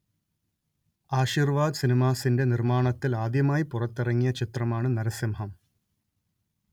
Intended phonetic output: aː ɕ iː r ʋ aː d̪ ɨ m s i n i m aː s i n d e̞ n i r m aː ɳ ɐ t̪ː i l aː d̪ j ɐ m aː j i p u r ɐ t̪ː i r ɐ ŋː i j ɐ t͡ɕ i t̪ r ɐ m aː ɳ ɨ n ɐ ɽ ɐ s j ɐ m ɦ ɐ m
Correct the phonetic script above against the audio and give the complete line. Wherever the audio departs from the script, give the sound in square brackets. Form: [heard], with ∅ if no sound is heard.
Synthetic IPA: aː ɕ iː r ʋ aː d̪ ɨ [∅] s i n i m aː s i n d e̞ n i r m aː ɳ ɐ t̪ː i l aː d̪ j ɐ m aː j i p u r ɐ t̪ː i r ɐ ŋː i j ɐ t͡ɕ i t̪ r ɐ m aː ɳ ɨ n ɐ [ɾ] ɐ s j ɐ m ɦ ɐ m